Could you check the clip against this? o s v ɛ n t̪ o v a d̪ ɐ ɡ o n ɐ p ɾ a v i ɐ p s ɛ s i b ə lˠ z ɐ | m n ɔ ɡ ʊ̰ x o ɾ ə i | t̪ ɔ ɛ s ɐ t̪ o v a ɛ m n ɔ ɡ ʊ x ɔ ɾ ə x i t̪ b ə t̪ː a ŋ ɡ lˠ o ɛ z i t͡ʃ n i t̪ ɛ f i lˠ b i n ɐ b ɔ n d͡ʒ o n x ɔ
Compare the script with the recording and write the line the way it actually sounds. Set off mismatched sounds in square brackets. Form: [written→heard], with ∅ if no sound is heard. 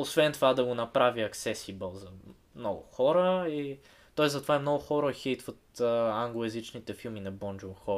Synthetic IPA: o s v ɛ n t̪ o v a d̪ ɐ ɡ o n ɐ p ɾ a v i ɐ [p→k] s ɛ s i b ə lˠ z ɐ | m n ɔ ɡ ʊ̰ x [o→ɔ] ɾ ə i | t̪ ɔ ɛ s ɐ t̪ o v a ɛ m n ɔ ɡ ʊ x ɔ ɾ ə x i t̪ [b→v] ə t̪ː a ŋ ɡ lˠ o ɛ z i t͡ʃ n i t̪ ɛ f i lˠ [b→m] i n ɐ b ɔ n d͡ʒ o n x ɔ